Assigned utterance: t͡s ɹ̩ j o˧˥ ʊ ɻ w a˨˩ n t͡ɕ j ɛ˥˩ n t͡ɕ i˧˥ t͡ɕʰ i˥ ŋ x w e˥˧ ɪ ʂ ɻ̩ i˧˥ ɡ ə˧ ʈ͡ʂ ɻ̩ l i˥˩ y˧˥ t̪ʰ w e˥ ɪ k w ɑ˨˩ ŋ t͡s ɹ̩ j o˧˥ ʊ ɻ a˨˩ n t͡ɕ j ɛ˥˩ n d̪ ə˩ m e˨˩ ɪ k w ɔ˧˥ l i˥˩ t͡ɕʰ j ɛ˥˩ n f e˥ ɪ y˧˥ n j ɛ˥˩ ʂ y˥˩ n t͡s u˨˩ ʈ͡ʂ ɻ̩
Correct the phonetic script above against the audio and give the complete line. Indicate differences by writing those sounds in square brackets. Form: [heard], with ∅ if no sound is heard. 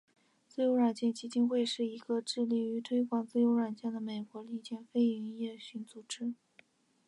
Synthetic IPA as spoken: t͡s ɹ̩ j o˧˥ ʊ ɻ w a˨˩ n t͡ɕ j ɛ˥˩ n t͡ɕ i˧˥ [t͡ɕ] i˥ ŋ x w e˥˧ ɪ ʂ ɻ̩ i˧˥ ɡ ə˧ ʈ͡ʂ ɻ̩ l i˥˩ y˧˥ t̪ʰ w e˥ ɪ k w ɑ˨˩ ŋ t͡s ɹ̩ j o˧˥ ʊ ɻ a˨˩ n t͡ɕ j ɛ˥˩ n d̪ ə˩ m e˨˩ ɪ k w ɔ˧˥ l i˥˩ [t͡ɕ] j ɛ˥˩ n f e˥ ɪ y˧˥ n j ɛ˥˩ [ɕ] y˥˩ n t͡s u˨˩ ʈ͡ʂ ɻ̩